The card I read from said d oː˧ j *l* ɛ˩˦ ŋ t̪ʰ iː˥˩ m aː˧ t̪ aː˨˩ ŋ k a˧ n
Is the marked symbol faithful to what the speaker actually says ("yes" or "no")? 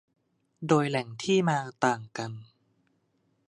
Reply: yes